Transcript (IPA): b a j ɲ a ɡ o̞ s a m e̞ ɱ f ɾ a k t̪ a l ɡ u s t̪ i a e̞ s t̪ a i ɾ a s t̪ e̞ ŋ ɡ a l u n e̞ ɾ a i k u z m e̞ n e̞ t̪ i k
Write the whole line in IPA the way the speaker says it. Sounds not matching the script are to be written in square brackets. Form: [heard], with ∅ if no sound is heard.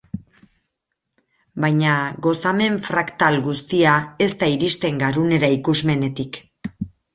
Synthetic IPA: b a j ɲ a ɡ o̞ s a m e̞ ɱ f ɾ a k t̪ a l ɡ u s t̪ i a e̞ s t̪ a i ɾ [i] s t̪ e̞ ŋ ɡ a [ɾ] u n e̞ ɾ a i k u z m e̞ n e̞ t̪ i k